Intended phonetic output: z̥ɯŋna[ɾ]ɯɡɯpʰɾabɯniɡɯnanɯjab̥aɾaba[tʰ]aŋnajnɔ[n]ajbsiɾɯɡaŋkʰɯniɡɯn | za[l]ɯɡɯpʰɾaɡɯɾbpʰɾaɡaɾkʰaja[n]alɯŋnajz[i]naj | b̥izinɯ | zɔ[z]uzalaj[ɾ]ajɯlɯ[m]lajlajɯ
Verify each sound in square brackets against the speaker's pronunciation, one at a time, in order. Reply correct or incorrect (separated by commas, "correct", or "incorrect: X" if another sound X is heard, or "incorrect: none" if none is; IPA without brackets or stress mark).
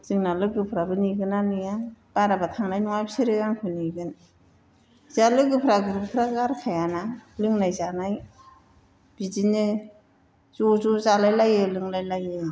incorrect: l, correct, incorrect: ŋ, correct, correct, incorrect: a, correct, incorrect: l, incorrect: ŋ